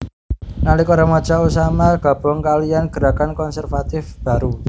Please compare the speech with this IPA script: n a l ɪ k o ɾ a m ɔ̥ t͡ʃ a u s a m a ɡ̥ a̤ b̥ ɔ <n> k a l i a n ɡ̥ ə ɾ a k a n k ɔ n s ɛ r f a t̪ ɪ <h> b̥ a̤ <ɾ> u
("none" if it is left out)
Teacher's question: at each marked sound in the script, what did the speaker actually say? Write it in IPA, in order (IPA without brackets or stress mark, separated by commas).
ŋ, f, ɾ